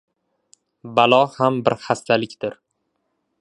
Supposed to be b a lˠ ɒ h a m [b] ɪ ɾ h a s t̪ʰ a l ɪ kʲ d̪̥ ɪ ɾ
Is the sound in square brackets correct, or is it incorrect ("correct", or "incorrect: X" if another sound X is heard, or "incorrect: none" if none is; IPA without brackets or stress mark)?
correct